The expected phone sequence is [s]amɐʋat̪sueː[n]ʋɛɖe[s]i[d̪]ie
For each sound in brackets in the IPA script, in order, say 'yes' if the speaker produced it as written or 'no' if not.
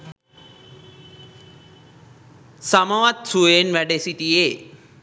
yes, yes, yes, no

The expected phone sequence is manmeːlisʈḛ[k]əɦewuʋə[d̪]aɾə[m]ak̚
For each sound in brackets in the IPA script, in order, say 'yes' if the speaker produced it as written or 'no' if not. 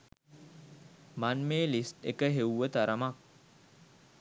yes, no, yes

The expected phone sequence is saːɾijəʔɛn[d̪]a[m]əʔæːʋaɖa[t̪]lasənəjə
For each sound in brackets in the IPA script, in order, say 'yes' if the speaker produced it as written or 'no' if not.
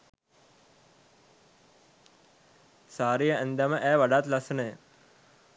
yes, yes, yes

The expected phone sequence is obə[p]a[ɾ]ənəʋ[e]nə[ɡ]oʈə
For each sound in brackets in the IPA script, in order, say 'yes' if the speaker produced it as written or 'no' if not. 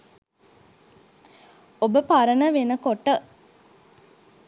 yes, yes, yes, no

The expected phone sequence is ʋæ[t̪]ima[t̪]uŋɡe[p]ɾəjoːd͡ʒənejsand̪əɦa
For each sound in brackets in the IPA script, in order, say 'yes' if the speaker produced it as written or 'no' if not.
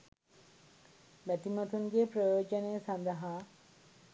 yes, yes, yes

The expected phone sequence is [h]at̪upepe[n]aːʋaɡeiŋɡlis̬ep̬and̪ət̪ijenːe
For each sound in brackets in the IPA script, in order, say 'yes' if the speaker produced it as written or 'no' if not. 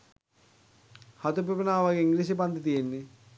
yes, yes

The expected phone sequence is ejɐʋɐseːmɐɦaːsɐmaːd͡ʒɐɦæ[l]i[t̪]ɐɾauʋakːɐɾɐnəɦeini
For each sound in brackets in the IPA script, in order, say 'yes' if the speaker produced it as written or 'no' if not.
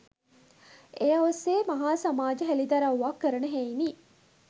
yes, no

